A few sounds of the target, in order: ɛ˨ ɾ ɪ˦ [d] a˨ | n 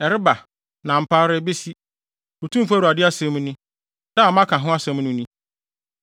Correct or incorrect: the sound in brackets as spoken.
incorrect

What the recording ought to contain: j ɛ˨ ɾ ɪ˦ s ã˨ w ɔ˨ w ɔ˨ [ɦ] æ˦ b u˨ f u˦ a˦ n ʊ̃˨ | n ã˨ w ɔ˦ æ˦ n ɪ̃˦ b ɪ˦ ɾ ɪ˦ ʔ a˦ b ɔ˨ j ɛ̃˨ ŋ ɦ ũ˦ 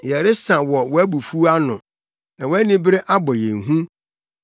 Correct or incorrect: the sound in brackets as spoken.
incorrect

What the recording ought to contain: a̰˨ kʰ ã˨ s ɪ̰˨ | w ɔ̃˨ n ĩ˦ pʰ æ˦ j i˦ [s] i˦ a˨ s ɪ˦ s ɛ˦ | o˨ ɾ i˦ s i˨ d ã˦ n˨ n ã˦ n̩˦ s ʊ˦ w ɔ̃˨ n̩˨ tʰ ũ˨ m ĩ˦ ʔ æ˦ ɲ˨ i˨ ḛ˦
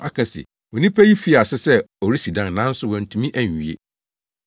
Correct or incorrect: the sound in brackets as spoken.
incorrect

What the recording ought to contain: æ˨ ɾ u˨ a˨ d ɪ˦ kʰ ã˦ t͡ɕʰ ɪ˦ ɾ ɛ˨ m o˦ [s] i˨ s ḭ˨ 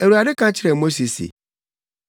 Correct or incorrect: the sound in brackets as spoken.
correct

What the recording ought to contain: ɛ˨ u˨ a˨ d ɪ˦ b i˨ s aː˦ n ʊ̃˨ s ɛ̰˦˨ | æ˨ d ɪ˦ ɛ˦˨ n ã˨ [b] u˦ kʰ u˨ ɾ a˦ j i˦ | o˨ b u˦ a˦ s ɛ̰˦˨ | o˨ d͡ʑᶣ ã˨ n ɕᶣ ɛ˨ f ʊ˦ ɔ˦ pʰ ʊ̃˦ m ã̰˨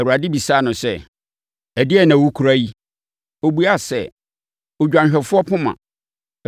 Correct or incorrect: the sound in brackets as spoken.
incorrect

